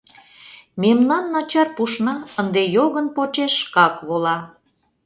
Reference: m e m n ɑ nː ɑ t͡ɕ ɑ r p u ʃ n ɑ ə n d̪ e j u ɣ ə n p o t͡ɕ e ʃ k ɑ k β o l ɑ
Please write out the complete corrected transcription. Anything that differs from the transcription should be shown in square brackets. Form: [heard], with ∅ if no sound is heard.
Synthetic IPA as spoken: m e m n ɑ nː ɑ t͡ɕ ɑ r p u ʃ n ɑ ə n d̪ e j [o] ɣ ə n p o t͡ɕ e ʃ k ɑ k β o l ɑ